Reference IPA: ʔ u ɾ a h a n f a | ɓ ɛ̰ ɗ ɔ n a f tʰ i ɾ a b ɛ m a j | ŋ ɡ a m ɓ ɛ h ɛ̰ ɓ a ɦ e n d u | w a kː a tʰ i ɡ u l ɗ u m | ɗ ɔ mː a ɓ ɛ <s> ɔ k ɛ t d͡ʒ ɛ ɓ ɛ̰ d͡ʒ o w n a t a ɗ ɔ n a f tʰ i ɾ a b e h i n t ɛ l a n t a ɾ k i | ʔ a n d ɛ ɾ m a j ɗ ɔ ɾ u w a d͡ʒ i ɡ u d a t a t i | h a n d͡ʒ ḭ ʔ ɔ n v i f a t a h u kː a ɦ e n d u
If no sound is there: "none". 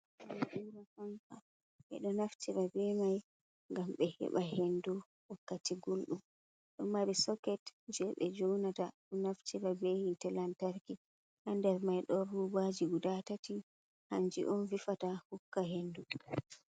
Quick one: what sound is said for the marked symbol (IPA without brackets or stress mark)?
s